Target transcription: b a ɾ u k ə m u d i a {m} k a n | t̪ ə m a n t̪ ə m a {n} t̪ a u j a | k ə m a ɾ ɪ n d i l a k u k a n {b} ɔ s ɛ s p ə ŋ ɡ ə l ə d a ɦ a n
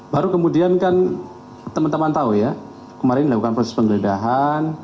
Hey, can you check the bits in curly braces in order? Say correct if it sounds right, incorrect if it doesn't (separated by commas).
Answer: incorrect, correct, incorrect